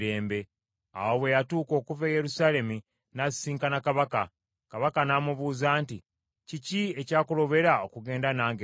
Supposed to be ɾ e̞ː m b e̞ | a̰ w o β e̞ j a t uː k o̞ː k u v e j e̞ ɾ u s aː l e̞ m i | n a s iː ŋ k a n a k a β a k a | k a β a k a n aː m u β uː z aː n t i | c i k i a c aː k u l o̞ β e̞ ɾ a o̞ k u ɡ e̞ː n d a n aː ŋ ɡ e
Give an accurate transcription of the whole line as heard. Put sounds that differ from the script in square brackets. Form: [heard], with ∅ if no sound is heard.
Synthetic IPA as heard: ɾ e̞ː m b e̞ | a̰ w o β e̞ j a t uː k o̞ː k u v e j e̞ ɾ u s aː l e̞ m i | n a s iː ŋ k a n a k a β a k a | k a β a k a n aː m u β uː z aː n t i | c i [c] i [e] c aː k u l o̞ β e̞ ɾ a o̞ k u ɡ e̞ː n d a n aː ŋ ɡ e